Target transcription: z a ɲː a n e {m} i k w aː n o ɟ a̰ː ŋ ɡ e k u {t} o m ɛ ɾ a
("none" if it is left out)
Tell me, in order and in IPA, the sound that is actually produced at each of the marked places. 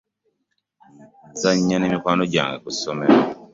m, s

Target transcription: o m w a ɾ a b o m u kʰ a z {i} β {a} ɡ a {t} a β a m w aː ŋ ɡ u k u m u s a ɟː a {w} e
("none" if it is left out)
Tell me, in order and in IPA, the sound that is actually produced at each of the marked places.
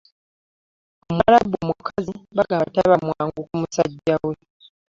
i, a, t, w

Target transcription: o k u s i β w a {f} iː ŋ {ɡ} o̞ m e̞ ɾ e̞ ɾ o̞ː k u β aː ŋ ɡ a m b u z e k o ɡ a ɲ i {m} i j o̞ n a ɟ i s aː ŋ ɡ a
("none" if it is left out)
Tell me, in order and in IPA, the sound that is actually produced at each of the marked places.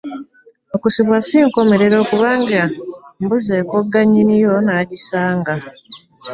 s, k, n

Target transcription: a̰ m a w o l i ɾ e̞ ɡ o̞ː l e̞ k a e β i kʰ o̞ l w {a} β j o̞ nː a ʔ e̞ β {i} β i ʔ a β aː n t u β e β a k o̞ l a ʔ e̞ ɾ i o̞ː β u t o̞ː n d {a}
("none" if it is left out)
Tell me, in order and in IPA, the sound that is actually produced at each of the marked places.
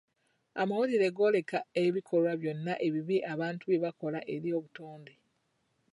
a, i, e

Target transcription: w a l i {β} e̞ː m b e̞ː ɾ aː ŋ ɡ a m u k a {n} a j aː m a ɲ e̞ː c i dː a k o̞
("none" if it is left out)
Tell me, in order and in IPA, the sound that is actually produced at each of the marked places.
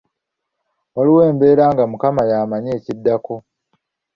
w, m

